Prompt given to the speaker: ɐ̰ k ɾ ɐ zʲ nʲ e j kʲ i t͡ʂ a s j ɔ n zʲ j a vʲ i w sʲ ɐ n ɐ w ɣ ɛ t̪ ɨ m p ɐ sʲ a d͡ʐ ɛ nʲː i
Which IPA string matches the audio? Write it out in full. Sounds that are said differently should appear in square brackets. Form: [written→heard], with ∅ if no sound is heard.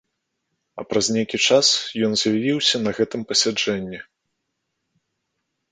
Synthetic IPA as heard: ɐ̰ [k→p] ɾ ɐ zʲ nʲ e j kʲ i t͡ʂ a s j ɔ n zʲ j a vʲ i w sʲ ɐ n ɐ [w→∅] ɣ ɛ t̪ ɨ m p ɐ sʲ a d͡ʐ ɛ nʲː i